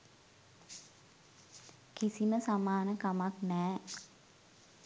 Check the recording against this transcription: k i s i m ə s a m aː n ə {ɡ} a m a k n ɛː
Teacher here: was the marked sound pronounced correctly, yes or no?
no